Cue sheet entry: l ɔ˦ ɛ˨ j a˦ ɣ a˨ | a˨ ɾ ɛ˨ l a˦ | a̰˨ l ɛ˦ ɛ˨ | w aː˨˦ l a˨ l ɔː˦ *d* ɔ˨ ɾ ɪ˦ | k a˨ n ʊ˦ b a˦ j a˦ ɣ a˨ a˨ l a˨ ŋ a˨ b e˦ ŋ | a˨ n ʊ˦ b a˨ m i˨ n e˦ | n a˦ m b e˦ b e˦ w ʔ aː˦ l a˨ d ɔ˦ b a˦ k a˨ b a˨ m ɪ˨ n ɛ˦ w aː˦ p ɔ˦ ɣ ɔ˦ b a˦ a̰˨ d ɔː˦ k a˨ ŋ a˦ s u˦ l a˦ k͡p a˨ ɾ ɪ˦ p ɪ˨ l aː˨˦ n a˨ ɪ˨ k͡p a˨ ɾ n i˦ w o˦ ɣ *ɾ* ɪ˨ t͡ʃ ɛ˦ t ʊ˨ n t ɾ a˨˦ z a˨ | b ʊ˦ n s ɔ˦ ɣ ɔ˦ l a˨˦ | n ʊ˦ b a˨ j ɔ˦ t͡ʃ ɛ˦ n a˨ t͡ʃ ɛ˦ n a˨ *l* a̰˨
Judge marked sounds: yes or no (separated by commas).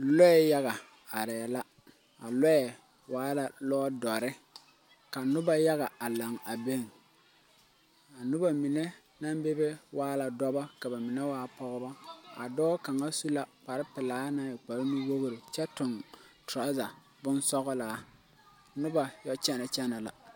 yes, yes, yes